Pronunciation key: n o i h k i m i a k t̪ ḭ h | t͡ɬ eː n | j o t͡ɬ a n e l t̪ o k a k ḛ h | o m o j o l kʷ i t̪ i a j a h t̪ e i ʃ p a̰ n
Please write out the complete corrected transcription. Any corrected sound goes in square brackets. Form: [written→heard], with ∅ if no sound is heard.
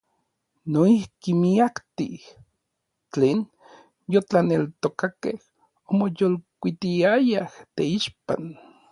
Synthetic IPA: n o i h k i m i a k t̪ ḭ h | t͡ɬ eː n | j o t͡ɬ a n e l t̪ o k a k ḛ h | o m o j o l kʷ i t̪ i a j a h t̪ e i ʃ p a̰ n